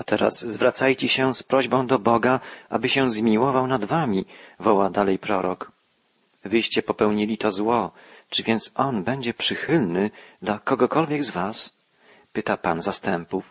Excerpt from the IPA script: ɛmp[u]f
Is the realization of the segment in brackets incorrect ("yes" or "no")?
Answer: no